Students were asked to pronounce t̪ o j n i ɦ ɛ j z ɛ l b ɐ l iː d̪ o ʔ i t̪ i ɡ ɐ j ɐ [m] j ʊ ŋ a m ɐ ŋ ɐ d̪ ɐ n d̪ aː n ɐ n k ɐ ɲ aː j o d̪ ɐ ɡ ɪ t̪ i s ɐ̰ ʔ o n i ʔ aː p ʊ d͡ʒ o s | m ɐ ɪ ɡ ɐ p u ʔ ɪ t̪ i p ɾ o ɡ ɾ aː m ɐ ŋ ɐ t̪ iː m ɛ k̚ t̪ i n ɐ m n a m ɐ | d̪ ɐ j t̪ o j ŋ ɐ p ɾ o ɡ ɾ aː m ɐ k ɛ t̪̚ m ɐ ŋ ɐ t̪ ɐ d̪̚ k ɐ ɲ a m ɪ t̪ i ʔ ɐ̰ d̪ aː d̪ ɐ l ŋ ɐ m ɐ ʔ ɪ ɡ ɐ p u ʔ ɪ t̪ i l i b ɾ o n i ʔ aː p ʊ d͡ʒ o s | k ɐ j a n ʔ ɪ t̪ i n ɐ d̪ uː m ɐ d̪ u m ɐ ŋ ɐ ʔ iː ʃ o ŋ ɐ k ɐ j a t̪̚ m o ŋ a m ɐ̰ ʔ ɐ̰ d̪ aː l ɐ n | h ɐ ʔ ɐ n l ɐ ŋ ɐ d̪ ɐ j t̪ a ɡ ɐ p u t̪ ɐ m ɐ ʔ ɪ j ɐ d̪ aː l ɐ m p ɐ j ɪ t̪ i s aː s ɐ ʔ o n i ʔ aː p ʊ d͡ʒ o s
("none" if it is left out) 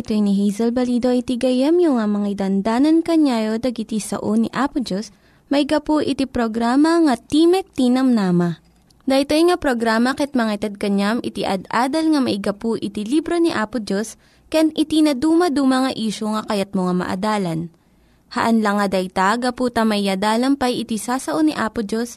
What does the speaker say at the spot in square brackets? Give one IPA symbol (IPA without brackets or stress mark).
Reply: m